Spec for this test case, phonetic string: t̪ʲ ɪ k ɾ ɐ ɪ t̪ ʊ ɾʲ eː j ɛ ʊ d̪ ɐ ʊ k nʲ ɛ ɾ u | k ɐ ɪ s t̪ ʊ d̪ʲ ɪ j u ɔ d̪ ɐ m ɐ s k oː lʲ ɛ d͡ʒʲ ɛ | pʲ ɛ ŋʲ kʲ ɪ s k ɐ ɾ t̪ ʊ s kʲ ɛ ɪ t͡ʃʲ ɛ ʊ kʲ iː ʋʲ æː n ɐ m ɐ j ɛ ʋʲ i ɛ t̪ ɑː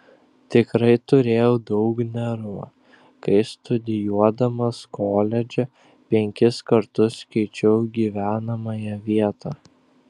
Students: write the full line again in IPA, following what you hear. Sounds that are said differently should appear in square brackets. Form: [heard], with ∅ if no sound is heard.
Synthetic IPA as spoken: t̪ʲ ɪ k ɾ ɐ ɪ t̪ ʊ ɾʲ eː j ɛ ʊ d̪ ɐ ʊ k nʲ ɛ ɾ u | k ɐ ɪ s t̪ ʊ d̪ʲ ɪ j u ɔ d̪ ɐ m ɐ s k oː lʲ ɛ d͡ʒʲ ɛ | pʲ ɛ ŋʲ kʲ ɪ s k ɐ ɾ t̪ ʊ s kʲ ɛ ɪ t͡ʃʲ ɛ ʊ [ɡʲ] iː ʋʲ æː n ɐ m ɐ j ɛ ʋʲ i ɛ t̪ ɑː

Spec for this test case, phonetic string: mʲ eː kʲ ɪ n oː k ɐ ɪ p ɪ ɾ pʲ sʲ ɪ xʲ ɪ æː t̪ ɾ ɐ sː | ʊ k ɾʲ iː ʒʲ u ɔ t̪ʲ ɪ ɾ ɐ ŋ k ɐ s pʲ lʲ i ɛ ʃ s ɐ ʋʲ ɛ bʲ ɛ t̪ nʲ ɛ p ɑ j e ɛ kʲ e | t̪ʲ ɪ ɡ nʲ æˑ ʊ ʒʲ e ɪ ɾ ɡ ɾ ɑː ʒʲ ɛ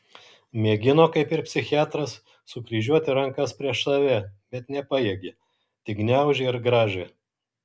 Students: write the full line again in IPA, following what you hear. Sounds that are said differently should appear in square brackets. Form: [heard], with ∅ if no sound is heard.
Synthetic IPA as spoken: mʲ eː [ɡʲ] ɪ n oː k ɐ ɪ p ɪ ɾ pʲ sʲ ɪ xʲ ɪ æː t̪ ɾ ɐ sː | ʊ k ɾʲ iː ʒʲ u ɔ t̪ʲ ɪ ɾ ɐ ŋ k ɐ s pʲ [ɾʲ] i ɛ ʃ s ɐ ʋʲ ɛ bʲ ɛ t̪ nʲ ɛ p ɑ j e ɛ [ɡʲ] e | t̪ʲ ɪ ɡ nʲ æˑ ʊ ʒʲ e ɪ ɾ ɡ ɾ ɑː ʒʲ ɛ

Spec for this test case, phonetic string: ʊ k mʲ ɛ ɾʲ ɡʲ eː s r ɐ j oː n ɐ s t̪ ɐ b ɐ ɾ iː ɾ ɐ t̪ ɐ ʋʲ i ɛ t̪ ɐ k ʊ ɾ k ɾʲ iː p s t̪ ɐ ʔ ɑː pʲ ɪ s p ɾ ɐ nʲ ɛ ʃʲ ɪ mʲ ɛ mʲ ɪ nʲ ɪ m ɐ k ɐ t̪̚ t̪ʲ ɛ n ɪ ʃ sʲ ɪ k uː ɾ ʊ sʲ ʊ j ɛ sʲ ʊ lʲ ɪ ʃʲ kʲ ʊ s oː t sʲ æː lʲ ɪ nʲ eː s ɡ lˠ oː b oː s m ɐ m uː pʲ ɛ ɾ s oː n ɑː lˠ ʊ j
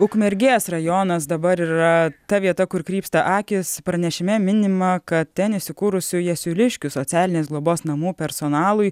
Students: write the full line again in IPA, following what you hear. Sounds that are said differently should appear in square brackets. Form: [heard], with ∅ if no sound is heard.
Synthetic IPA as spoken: ʊ k mʲ ɛ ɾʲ ɡʲ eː s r ɐ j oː n ɐ s [d̪] ɐ b ɐ ɾ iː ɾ ɐ t̪ ɐ ʋʲ i ɛ t̪ ɐ k ʊ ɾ k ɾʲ iː p s t̪ ɐ ʔ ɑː [kʲ] ɪ s p ɾ ɐ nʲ ɛ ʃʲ ɪ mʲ ɛ mʲ ɪ nʲ ɪ m ɐ k ɐ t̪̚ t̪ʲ ɛ n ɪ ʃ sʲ ɪ k uː ɾ ʊ sʲ ʊ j ɛ sʲ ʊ lʲ ɪ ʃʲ kʲ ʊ s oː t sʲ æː lʲ ɪ nʲ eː s ɡ lˠ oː b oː s [n] ɐ m uː pʲ ɛ ɾ s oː n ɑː lˠ ʊ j

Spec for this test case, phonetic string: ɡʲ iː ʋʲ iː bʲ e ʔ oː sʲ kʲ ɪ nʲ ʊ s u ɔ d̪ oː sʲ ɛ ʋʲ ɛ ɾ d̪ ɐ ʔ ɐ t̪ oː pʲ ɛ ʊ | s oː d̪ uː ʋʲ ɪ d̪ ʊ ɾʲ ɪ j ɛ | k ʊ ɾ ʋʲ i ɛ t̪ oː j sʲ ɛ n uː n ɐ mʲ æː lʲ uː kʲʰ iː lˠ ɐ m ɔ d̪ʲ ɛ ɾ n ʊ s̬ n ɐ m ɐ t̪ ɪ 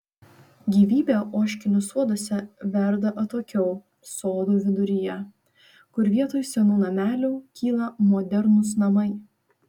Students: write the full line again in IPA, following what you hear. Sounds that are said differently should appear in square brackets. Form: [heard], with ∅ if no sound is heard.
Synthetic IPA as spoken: ɡʲ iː ʋʲ iː bʲ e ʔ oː [ʃʲ] kʲ ɪ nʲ ʊ s u ɔ d̪ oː sʲ ɛ ʋʲ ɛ ɾ d̪ ɐ ʔ ɐ t̪ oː [kʲ] ɛ ʊ | s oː d̪ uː ʋʲ ɪ d̪ ʊ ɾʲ ɪ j ɛ | k ʊ ɾ ʋʲ i ɛ t̪ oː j sʲ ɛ n uː n ɐ mʲ æː lʲ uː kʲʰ iː lˠ ɐ m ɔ d̪ʲ ɛ ɾ n ʊ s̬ n ɐ m ɐ [∅] ɪ

